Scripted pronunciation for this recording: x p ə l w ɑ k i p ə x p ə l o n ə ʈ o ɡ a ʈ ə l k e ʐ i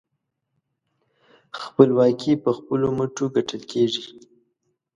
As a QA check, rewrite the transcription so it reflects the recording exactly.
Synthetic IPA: x p ə l w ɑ k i p ə x p ə l o m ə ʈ o ɡ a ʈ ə l k e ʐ i